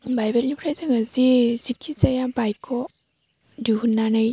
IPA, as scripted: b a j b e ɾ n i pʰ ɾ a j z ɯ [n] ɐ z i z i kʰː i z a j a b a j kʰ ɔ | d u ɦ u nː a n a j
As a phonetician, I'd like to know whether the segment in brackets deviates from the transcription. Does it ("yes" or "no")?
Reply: yes